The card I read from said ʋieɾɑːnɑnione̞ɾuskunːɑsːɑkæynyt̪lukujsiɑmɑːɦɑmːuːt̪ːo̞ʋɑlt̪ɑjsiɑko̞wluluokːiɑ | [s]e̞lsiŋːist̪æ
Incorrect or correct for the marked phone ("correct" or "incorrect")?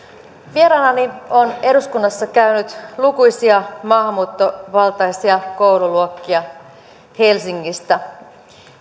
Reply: incorrect